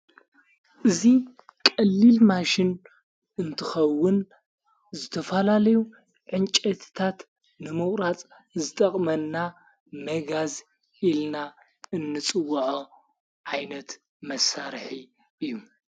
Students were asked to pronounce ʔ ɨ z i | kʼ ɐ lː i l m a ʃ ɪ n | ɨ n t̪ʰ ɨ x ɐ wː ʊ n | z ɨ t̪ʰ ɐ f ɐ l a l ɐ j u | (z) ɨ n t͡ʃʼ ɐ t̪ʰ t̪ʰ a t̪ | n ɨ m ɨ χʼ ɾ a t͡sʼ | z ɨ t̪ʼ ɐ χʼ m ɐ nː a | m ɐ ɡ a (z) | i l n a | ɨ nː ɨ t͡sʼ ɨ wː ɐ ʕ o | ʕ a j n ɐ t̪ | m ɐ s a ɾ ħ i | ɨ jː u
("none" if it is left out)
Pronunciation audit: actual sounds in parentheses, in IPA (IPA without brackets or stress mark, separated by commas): ʕ, z